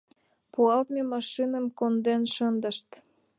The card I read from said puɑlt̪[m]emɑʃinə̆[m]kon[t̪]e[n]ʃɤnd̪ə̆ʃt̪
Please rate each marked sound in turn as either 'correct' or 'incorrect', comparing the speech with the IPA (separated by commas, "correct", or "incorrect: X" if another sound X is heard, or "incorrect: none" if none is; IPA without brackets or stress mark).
correct, correct, incorrect: d̪, correct